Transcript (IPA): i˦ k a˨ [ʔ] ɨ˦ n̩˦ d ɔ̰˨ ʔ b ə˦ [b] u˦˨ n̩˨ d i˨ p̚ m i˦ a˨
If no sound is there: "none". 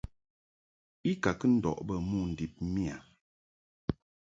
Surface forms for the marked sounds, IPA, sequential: k, m

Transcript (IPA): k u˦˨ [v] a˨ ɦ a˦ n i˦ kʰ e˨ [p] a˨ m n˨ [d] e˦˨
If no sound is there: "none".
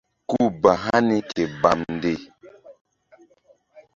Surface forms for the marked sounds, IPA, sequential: b, b, d

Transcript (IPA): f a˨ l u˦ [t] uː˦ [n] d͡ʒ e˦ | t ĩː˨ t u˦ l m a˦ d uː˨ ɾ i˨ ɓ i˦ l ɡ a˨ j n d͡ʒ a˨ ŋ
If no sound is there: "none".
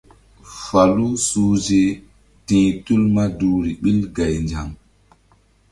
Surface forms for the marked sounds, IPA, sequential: s, none

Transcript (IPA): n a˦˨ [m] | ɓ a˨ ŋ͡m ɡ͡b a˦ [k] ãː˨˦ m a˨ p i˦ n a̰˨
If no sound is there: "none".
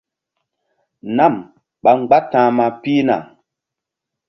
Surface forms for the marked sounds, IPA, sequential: m, t

